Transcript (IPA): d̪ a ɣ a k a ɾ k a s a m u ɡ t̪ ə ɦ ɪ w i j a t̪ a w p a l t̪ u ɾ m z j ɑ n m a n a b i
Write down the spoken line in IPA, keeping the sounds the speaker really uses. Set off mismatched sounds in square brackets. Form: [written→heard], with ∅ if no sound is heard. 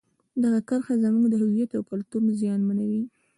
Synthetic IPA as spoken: d̪ a ɣ a k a ɾ [k→x] a [s→z] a m u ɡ [t̪→d̪] ə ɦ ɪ w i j a t̪ a w [p→k] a l t̪ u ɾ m z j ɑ n m a n a [b→w] i